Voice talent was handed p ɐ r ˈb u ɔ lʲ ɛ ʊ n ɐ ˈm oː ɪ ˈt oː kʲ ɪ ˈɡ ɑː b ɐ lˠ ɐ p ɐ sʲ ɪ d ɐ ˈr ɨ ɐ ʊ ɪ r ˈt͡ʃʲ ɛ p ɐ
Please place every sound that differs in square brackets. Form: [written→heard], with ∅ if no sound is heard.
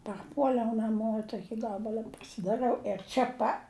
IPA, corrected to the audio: p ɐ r [ˈb→ˈp] u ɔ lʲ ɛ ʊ n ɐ ˈm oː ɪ ˈt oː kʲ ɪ ˈɡ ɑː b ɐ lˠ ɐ p ɐ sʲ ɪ d ɐ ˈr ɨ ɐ ʊ ɪ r ˈt͡ʃʲ ɛ p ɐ